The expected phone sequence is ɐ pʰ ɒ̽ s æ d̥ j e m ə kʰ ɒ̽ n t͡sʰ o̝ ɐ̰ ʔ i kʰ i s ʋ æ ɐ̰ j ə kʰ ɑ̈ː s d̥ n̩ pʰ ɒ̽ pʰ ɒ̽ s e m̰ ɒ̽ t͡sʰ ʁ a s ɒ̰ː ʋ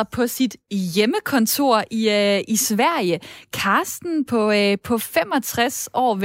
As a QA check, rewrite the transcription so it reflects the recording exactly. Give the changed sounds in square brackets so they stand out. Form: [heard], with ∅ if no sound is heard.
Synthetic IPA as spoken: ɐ pʰ ɒ̽ s [i] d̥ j e m ə kʰ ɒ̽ n t͡sʰ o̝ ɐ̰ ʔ i [∅] i s ʋ æ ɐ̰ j ə kʰ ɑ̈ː s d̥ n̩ pʰ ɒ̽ pʰ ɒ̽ [f] e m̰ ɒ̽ t͡sʰ ʁ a s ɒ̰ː ʋ